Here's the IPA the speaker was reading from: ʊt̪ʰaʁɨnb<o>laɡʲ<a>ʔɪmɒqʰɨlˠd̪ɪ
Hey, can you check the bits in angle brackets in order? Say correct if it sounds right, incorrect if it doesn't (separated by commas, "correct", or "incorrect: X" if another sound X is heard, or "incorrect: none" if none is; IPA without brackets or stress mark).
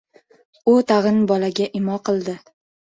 incorrect: ɒ, correct